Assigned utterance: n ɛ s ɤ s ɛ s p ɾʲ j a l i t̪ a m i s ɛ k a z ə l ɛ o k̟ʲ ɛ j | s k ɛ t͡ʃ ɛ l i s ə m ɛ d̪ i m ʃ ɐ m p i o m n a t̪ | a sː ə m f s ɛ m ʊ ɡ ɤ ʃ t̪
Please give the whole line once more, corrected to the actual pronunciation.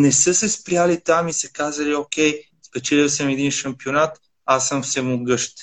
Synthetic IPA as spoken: n ɛ s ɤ s ɛ s p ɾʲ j a l i t̪ a m i s ɛ k a z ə l i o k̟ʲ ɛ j | s p ɛ t͡ʃ ɛ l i s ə m ɛ d̪ i n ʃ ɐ m p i o n a t̪ | a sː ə m f s ɛ m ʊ ɡ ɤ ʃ t̪